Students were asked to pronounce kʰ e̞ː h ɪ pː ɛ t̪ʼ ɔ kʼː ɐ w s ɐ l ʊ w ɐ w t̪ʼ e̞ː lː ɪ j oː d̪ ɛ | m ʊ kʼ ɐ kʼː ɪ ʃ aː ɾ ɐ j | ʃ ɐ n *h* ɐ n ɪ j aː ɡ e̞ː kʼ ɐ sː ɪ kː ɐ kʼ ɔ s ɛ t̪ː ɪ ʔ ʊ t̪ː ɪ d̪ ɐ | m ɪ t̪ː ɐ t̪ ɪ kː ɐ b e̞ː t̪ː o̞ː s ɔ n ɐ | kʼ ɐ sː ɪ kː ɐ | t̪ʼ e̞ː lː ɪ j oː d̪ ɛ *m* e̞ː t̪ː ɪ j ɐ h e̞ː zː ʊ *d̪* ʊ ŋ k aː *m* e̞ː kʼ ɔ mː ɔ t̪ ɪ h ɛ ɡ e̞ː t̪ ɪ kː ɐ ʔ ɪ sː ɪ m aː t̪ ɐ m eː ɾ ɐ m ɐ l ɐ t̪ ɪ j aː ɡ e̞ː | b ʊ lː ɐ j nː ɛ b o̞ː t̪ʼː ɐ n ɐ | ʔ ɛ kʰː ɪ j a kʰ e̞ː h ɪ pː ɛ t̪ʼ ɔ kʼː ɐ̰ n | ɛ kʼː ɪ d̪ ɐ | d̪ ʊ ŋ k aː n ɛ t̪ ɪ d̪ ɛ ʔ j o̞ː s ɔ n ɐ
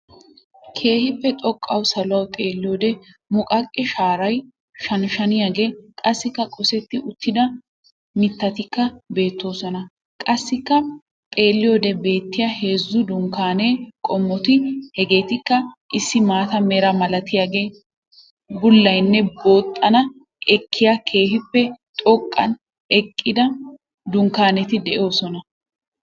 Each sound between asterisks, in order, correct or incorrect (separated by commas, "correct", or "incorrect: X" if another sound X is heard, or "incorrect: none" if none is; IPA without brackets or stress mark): incorrect: ʃ, incorrect: b, correct, incorrect: n